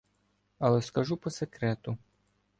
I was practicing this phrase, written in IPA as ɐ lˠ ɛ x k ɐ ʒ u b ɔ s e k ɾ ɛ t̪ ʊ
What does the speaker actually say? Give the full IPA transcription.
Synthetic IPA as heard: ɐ lˠ ɛ s k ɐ ʒ u p ɔ s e k ɾ ɛ t̪ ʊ